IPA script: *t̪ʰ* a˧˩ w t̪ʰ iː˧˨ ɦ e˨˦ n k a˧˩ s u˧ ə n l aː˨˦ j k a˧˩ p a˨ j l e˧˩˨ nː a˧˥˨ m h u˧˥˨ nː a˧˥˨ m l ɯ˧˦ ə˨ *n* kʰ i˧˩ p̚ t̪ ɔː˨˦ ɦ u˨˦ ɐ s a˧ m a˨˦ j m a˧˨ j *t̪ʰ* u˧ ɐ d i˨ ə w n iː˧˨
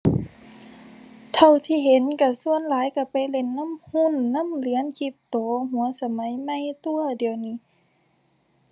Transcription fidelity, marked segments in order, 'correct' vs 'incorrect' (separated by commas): correct, correct, incorrect